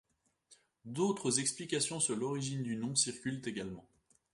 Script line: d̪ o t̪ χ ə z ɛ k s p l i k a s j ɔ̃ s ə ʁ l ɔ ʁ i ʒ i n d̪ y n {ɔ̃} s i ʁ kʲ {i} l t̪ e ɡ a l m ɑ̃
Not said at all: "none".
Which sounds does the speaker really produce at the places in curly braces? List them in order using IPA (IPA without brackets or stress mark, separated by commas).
ɔ̃, y